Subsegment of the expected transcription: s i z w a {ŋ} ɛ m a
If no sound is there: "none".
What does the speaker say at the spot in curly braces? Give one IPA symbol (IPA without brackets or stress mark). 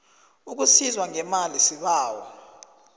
ŋ